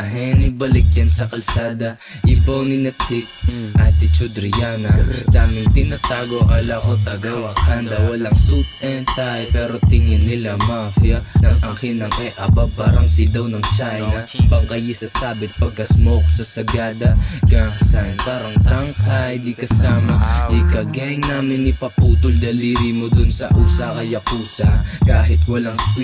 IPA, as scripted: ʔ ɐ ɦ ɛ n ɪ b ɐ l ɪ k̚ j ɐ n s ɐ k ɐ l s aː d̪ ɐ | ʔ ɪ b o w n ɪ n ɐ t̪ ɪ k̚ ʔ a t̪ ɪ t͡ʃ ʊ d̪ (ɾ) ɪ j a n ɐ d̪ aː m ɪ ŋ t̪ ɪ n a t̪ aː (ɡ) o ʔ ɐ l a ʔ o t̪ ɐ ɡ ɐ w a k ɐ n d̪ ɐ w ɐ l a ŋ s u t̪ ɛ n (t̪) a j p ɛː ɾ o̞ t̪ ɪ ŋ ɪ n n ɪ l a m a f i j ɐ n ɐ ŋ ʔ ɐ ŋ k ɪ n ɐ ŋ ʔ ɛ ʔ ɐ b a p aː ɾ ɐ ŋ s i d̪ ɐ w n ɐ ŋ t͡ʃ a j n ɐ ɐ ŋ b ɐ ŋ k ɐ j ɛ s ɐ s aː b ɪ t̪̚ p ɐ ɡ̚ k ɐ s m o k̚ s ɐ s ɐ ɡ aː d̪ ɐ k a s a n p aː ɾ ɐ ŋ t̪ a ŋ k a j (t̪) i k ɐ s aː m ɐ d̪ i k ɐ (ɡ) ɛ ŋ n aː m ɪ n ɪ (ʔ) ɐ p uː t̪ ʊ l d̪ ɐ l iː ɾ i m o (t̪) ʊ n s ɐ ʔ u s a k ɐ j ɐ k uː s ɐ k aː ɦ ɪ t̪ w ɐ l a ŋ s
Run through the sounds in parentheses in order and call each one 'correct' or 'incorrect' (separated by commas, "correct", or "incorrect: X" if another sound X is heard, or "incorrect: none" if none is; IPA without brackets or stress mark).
correct, correct, correct, incorrect: d̪, correct, incorrect: p, incorrect: d̪